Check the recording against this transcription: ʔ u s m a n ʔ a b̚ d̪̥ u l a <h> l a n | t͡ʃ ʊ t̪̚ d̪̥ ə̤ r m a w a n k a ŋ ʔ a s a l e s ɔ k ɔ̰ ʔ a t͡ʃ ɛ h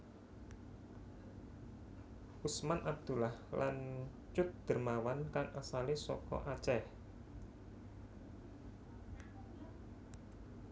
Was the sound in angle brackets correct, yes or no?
yes